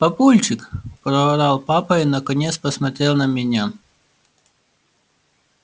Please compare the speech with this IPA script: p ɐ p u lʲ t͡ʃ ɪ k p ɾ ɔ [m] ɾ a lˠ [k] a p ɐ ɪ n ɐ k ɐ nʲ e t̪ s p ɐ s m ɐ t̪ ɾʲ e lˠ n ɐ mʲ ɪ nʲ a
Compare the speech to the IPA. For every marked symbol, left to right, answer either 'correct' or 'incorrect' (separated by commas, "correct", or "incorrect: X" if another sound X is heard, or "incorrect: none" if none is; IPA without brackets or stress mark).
incorrect: none, incorrect: p